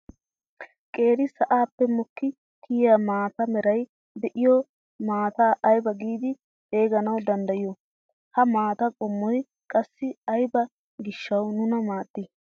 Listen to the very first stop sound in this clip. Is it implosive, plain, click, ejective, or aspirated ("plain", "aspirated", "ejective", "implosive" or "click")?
ejective